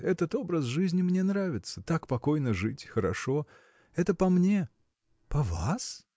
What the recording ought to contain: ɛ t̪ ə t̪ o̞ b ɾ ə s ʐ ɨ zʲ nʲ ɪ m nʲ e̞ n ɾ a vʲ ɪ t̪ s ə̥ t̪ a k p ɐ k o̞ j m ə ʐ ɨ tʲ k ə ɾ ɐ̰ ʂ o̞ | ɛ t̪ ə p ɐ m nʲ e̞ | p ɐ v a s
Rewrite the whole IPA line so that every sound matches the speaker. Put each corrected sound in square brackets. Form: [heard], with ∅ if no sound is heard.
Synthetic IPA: ɛ t̪ ə t̪ o̞ b ɾ ə s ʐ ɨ zʲ nʲ ɪ m nʲ e̞ n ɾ a vʲ ɪ t̪ s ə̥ t̪ a k p ɐ k o̞ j [n] ə ʐ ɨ tʲ [x] ə ɾ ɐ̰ ʂ o̞ | ɛ t̪ ə p ɐ m nʲ e̞ | p ɐ v a s